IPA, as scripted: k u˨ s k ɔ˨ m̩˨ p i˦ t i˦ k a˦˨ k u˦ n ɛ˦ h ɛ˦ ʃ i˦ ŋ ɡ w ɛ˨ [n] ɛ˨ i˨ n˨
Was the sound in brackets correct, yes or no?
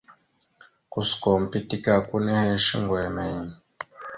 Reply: no